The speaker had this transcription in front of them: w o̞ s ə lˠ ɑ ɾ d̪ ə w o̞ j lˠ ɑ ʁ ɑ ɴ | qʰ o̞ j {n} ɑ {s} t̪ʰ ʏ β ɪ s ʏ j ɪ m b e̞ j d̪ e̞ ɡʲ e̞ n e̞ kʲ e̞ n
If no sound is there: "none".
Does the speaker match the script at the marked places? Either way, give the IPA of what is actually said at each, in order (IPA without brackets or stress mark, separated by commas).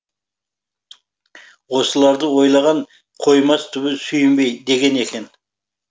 m, s